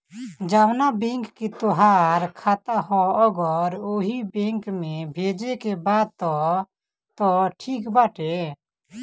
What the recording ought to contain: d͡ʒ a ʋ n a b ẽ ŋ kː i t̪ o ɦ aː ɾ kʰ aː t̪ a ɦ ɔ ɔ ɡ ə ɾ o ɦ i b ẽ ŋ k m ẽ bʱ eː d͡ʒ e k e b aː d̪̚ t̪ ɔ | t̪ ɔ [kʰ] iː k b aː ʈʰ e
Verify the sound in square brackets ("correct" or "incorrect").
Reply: incorrect